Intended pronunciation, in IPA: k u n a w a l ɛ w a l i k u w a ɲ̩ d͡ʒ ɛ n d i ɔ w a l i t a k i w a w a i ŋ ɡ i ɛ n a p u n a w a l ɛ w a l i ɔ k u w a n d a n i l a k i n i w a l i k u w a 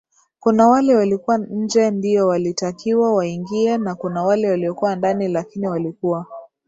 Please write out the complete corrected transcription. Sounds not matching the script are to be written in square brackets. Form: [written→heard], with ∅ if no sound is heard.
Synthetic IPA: k u n a w a l ɛ w a l i k u w a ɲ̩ d͡ʒ ɛ n d i ɔ w a l i t a k i w a w a i ŋ ɡ i ɛ n a [p→k] u n a w a l ɛ w a l i ɔ k u w a n d a n i l a k i n i w a l i k u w a